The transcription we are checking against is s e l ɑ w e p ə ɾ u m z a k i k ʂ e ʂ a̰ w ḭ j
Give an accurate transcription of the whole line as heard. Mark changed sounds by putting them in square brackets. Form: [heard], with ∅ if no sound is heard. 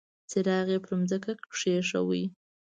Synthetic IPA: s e [ɾ] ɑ [ɣ] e p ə ɾ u m z [ə] k [a] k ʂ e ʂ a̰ w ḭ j